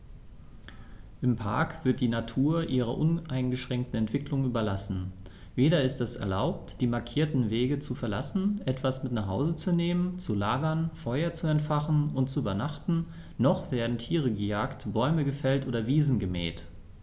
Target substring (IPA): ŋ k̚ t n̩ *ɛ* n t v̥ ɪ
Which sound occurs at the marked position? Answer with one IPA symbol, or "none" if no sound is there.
ɛ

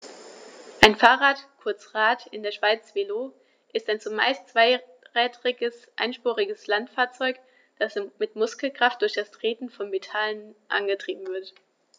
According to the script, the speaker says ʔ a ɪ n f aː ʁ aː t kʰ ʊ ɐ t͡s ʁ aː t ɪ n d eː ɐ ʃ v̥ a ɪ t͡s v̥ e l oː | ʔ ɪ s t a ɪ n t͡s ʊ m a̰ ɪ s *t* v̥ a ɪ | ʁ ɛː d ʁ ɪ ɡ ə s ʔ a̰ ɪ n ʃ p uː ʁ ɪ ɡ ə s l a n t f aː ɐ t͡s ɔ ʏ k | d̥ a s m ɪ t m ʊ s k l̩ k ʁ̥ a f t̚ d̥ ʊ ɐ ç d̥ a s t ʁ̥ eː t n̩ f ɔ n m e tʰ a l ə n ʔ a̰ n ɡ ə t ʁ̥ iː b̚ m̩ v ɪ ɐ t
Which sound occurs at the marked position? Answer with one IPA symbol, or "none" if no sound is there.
t͡s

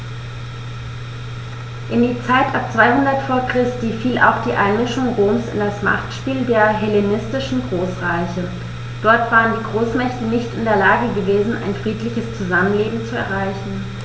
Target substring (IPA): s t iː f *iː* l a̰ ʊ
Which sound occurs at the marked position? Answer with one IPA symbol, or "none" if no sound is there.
iː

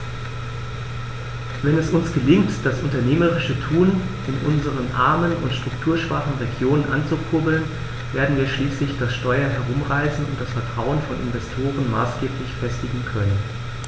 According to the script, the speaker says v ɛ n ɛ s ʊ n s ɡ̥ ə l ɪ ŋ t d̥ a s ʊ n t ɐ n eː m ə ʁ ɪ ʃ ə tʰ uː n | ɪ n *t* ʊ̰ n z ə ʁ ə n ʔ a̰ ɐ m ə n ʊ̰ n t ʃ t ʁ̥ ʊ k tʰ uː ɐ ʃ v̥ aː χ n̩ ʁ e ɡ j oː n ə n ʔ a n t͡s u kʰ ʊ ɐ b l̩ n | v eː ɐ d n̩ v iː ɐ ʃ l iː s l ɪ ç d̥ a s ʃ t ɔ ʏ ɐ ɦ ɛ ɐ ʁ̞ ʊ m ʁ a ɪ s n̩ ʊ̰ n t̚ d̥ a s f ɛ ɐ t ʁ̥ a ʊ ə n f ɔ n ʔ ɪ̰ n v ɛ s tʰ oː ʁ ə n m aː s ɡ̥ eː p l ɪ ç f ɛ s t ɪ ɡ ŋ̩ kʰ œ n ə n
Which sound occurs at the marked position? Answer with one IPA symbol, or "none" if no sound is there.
ʔ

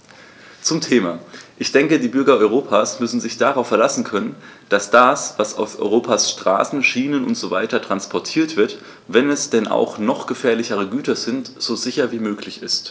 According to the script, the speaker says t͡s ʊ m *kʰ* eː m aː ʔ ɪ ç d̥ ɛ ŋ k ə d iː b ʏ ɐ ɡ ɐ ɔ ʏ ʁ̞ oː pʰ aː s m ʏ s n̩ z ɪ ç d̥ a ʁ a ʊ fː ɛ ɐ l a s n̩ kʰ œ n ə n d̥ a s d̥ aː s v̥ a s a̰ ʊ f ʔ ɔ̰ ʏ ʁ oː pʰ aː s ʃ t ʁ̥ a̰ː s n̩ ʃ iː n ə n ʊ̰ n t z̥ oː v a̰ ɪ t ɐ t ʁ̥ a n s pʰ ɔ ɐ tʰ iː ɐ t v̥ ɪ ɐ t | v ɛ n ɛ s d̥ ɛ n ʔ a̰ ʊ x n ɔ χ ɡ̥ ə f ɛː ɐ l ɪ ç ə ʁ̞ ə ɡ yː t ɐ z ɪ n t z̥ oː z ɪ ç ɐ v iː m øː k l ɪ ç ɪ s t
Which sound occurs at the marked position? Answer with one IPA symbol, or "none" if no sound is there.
tʰ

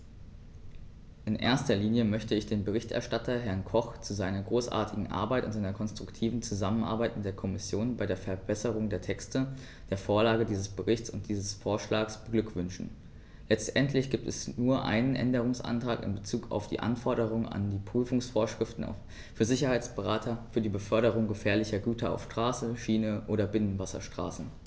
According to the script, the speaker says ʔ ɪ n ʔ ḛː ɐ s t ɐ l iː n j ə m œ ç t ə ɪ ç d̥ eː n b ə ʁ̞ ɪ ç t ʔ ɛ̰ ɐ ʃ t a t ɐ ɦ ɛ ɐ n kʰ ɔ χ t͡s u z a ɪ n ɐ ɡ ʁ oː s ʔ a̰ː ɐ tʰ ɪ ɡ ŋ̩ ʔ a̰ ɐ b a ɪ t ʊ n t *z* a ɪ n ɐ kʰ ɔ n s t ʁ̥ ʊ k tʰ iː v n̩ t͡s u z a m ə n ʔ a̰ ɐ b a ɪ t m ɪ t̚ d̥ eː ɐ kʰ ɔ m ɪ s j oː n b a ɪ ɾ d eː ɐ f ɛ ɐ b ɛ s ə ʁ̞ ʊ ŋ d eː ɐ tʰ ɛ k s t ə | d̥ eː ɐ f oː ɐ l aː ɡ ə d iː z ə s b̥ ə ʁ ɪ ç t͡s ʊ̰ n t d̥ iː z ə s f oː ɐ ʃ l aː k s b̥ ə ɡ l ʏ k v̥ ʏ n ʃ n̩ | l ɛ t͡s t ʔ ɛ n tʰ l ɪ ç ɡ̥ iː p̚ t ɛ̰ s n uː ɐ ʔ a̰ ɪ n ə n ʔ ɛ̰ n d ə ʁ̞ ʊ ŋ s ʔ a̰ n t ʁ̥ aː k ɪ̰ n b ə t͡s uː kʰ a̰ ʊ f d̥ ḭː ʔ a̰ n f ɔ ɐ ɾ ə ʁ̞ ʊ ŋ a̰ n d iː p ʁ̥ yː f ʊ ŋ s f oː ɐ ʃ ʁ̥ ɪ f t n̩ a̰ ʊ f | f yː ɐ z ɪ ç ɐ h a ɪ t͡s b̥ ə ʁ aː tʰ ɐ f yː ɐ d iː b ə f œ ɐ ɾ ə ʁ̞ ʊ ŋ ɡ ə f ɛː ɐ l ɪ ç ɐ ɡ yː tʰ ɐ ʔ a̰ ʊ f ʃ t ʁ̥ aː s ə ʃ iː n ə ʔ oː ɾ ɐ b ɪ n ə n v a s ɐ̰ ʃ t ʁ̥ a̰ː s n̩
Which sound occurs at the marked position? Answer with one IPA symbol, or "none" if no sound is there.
z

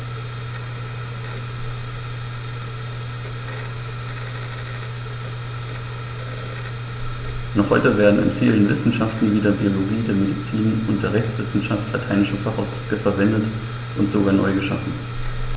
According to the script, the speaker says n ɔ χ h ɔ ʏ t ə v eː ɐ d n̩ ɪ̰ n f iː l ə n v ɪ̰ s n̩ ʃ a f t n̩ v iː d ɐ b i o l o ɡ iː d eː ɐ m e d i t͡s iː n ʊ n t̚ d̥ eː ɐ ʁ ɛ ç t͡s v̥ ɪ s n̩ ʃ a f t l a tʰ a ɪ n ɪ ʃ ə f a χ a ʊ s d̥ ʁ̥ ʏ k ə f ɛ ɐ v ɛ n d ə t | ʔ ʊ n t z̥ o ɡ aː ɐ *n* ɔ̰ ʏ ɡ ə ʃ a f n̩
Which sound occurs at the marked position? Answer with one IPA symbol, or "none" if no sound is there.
n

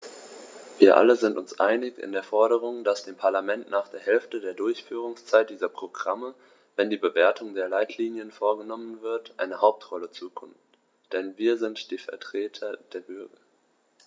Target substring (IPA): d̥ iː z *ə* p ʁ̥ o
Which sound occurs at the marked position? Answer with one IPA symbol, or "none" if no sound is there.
ɐ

